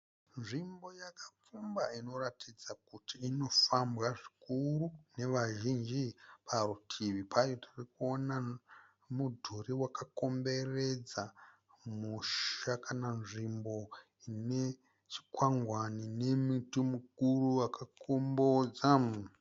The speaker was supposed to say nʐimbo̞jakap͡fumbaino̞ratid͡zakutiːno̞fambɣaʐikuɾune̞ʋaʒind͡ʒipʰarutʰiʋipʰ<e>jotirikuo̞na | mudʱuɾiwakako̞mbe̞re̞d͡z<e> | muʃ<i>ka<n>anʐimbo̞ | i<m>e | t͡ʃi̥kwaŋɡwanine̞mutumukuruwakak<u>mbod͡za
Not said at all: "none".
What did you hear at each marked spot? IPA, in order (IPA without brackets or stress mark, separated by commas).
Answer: a, a, a, n, n, o